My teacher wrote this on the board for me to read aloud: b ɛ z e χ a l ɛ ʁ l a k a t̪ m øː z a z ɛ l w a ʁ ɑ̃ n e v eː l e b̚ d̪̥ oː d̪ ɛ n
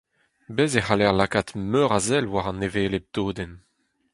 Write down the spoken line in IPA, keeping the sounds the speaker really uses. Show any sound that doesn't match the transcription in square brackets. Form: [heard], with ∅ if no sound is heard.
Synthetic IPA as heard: b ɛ z e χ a l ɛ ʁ l a k a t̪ m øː [ʁ] a z ɛ l w a ʁ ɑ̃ n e v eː l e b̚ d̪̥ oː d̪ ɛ n

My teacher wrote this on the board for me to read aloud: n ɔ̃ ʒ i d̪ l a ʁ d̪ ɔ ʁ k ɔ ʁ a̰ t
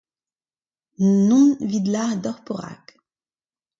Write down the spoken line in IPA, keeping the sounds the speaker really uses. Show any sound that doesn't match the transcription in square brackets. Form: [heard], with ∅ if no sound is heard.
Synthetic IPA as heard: n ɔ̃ [v] i d̪ l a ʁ d̪ ɔ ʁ [p] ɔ ʁ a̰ [k]

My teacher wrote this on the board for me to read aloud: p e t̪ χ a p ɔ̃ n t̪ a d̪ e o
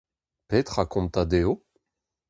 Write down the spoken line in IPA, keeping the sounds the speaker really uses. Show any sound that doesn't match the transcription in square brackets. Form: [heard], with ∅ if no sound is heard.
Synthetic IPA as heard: p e t̪ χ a [k] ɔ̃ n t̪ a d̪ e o

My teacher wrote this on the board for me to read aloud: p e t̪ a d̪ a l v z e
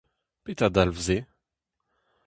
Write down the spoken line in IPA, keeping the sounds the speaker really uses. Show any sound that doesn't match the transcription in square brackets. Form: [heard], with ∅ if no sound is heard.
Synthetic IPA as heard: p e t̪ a d̪ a l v z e

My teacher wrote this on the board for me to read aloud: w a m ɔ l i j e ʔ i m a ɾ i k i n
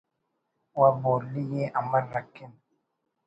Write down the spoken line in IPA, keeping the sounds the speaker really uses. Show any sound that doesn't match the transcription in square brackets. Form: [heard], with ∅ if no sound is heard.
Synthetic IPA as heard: w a [b] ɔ l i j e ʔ [a] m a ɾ [a] k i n

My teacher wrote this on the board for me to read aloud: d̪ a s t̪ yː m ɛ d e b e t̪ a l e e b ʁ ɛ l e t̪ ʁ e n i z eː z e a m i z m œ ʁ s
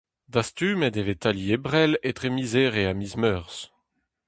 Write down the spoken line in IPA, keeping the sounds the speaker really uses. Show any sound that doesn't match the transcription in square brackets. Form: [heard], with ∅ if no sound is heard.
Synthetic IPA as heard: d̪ a s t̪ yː m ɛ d e [v] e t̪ a l [i] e b ʁ ɛ l e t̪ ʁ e [m] i z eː [ʁ] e a m i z m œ ʁ s

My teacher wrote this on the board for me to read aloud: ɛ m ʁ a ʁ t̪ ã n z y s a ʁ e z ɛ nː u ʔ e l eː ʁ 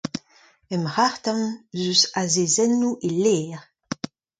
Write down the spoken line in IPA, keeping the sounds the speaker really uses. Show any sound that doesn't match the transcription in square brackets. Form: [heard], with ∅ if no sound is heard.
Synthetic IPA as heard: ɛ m ʁ a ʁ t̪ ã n z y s a [z] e z ɛ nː u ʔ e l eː ʁ

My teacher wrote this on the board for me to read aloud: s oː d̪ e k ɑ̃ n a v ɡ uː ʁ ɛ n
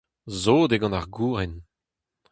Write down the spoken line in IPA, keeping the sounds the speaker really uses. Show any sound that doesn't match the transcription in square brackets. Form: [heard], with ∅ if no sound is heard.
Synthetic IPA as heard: [z] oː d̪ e [ɡ] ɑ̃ n a [ʁ] ɡ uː ʁ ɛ n

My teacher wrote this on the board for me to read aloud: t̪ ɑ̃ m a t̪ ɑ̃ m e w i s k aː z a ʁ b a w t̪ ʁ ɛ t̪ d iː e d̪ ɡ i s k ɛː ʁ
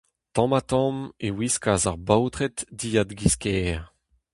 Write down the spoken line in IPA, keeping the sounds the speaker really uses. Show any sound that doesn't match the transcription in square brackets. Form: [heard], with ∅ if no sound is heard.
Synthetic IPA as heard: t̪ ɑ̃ m a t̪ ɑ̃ m e w i s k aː z a ʁ b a w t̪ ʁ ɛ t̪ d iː [a] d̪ ɡ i s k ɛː ʁ

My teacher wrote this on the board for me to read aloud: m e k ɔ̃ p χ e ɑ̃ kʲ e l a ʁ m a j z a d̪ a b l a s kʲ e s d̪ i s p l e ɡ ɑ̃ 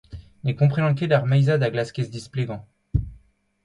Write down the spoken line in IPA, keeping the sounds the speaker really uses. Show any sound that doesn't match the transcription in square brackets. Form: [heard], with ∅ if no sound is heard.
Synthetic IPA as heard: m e k ɔ̃ p χ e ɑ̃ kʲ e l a ʁ m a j z a d̪ a [ɡ] l a s kʲ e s d̪ i s p l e ɡ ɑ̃

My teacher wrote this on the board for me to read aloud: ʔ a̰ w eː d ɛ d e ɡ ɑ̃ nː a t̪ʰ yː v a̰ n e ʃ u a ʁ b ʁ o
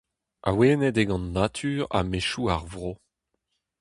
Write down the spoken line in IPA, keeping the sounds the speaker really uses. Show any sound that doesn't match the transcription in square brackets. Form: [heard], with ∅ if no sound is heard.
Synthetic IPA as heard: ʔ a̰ w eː [n] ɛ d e ɡ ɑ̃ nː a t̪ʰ yː [ʁ] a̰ [m] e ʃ u a ʁ [v] ʁ o

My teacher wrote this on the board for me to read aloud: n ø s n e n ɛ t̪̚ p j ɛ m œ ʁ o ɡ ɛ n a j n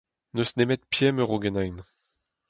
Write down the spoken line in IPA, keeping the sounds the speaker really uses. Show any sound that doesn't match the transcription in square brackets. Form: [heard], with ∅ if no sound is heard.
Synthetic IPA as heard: n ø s n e [m] ɛ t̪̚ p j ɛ m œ ʁ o ɡ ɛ n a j n

